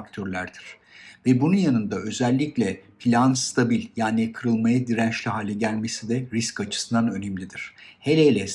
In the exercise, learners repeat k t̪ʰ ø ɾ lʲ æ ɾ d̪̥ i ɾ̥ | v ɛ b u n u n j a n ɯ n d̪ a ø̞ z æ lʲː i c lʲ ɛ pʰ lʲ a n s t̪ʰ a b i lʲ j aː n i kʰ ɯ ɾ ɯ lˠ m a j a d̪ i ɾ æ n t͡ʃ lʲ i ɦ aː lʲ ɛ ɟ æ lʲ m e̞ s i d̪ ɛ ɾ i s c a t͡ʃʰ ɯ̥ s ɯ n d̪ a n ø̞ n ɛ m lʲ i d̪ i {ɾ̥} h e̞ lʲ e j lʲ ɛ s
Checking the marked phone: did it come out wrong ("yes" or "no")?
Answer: no